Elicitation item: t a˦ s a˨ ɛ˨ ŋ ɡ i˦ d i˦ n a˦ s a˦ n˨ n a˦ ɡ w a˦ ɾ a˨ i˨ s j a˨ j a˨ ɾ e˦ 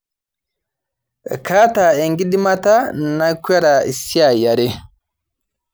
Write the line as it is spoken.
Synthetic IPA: k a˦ t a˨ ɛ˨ ŋ ɡ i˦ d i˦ m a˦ t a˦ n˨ n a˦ k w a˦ ɾ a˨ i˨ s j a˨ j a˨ ɾ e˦